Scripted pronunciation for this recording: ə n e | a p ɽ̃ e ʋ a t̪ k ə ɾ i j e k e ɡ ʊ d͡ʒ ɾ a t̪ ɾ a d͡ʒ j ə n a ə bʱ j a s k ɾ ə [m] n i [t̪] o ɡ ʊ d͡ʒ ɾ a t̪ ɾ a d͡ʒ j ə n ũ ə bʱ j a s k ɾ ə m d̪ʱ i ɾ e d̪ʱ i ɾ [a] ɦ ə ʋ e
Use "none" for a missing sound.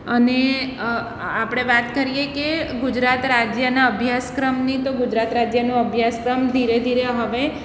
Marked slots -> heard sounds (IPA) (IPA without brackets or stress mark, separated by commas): m, t̪, e